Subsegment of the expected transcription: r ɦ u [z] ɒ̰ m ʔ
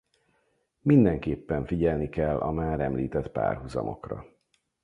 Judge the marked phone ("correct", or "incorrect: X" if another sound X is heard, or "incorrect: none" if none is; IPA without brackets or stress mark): correct